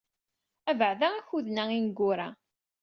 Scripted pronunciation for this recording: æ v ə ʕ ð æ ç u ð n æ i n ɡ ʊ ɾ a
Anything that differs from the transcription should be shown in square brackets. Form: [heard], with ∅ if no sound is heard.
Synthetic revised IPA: æ v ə ʕ ð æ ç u ð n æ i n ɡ ʊ ɾ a